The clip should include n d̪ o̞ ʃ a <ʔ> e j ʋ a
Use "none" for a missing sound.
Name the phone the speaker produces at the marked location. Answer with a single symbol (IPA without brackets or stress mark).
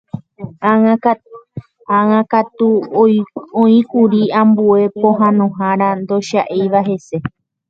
ʔ